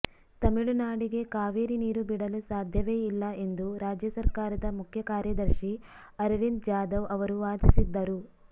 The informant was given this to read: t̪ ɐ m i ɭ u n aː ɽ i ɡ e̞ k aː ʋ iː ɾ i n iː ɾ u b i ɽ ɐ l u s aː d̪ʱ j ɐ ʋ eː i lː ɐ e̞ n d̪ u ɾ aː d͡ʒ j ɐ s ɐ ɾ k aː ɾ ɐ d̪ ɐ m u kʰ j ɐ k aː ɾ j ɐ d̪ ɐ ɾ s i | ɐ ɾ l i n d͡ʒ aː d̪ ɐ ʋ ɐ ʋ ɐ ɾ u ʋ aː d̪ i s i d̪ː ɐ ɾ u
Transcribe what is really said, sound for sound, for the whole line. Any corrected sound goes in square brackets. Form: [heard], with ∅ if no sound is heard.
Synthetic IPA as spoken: t̪ ɐ m i ɭ u n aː ɽ i ɡ e̞ k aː ʋ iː ɾ i n iː ɾ u b i ɽ ɐ l u s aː d̪ʱ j ɐ ʋ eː i lː ɐ e̞ n d̪ u ɾ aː d͡ʒ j ɐ s ɐ ɾ k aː ɾ ɐ d̪ ɐ m u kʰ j ɐ k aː ɾ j ɐ d̪ ɐ ɾ [ʃ] i | ɐ ɾ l i n d͡ʒ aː d̪ ɐ ʋ ɐ ʋ ɐ ɾ u ʋ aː d̪ i s i d̪ː ɐ ɾ u